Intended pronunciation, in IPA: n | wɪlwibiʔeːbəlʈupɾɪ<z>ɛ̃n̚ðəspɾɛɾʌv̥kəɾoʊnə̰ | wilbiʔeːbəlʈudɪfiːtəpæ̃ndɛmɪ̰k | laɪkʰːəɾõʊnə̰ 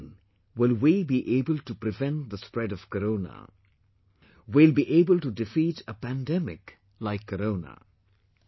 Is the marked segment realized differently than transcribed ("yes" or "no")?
yes